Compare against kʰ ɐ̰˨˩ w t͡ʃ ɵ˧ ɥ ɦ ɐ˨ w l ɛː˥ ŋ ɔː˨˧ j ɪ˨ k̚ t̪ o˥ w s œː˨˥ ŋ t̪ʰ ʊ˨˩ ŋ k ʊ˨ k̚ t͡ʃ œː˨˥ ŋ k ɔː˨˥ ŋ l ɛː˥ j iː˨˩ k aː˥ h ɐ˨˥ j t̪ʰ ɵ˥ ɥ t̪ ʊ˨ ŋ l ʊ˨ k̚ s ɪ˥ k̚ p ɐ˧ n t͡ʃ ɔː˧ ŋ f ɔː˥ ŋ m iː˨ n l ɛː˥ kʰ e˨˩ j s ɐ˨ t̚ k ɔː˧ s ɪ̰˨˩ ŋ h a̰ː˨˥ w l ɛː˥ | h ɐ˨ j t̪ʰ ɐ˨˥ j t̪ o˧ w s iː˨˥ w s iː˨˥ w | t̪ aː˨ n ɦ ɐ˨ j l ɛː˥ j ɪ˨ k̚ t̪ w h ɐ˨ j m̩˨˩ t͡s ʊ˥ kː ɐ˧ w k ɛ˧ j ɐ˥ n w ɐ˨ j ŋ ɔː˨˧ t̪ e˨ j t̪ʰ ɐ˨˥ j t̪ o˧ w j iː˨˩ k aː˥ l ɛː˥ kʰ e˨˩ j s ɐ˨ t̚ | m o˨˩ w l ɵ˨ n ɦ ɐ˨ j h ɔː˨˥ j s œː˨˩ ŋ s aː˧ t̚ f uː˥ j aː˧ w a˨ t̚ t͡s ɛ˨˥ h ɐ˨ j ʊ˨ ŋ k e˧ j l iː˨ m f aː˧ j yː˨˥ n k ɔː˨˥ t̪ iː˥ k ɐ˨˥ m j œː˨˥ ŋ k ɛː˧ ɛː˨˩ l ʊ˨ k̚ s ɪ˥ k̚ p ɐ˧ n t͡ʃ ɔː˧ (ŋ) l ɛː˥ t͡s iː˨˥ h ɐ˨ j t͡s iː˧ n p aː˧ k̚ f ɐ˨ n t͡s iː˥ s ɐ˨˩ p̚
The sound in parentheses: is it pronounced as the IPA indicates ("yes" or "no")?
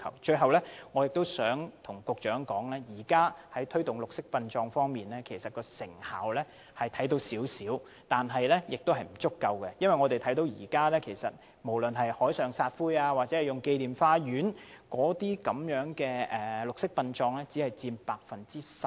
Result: yes